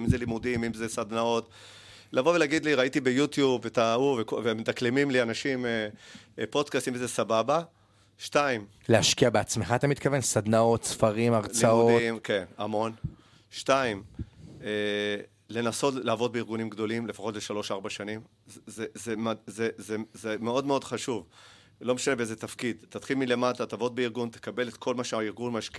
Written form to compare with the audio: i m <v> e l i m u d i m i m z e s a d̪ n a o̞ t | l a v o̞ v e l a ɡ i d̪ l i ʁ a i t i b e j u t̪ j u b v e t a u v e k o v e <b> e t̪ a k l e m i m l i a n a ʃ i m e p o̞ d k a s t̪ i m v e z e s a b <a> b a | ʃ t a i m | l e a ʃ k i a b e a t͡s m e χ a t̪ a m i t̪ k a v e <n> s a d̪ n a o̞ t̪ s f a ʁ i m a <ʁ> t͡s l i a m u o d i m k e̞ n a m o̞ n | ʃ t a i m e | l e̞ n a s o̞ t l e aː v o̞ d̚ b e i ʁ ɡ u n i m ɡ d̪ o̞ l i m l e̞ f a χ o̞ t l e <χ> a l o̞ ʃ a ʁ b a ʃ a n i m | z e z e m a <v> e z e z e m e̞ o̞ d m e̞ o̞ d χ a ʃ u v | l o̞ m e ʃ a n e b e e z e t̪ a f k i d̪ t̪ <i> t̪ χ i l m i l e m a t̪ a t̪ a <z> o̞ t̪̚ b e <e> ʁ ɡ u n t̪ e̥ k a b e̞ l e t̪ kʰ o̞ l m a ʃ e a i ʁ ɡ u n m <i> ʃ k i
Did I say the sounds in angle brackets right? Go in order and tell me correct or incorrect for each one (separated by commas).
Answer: incorrect, incorrect, correct, correct, correct, incorrect, incorrect, incorrect, incorrect, incorrect, incorrect